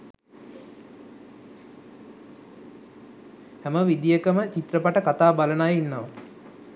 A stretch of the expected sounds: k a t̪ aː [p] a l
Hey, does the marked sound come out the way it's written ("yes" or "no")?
no